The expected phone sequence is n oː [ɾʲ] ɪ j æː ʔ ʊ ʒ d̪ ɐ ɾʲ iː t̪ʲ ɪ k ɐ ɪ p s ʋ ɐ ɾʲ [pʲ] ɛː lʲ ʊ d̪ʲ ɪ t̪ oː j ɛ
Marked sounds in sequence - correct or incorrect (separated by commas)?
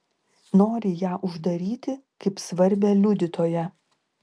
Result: correct, incorrect